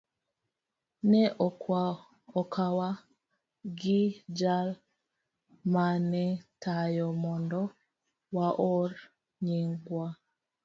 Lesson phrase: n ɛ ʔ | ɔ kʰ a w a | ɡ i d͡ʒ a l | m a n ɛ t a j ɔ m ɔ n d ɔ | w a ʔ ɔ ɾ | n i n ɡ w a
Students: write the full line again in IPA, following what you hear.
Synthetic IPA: n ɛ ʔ | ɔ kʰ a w a | ɡ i d͡ʒ a l | m a n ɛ t a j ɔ m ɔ n d ɔ | w a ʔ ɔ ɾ | ɲ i ŋ ɡ w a